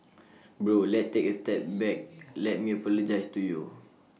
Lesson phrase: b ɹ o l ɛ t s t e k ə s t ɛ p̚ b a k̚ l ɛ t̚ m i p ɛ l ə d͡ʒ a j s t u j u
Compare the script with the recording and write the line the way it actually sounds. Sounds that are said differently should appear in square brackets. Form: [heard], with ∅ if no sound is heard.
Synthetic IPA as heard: b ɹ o l ɛ t s t e k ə s t ɛ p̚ b [ɛ] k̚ l ɛ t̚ m i p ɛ l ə d͡ʒ a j s t u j u